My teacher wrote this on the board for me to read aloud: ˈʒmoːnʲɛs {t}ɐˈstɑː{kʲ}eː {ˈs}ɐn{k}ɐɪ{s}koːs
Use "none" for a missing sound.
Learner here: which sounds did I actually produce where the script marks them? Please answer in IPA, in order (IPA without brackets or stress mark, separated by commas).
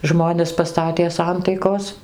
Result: p, tʲ, s, t, none